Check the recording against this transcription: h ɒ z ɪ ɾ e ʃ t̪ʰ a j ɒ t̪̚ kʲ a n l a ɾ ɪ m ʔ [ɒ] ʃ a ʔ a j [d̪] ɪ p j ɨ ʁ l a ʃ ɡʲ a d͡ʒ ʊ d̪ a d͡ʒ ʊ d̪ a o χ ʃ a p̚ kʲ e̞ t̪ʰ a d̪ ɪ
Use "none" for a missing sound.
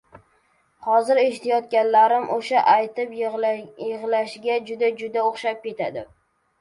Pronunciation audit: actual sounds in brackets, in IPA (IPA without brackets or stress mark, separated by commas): o, t̪